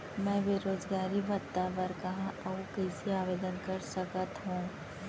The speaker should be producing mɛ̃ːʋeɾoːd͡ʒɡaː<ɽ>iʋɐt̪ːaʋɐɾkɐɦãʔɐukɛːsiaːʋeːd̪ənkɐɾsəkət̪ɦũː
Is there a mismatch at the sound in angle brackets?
yes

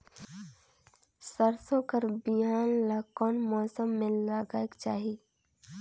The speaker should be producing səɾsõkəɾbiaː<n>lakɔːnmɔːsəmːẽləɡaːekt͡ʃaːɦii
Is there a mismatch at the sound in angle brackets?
no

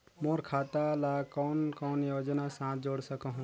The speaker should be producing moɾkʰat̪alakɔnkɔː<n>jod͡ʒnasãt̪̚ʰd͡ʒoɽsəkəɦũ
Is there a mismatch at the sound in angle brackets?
no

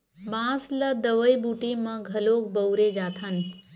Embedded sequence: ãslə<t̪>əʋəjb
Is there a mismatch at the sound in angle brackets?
yes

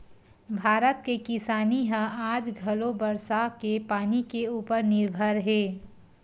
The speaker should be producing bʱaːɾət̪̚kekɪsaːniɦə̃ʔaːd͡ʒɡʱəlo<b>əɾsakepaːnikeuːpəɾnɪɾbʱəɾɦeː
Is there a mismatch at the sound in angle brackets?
no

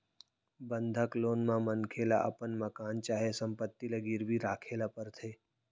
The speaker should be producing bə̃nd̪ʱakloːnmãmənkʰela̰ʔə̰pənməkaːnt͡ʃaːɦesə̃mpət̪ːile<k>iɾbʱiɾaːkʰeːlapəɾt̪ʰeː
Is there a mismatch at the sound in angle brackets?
yes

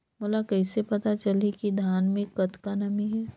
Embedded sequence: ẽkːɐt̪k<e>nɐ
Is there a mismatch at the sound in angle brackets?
yes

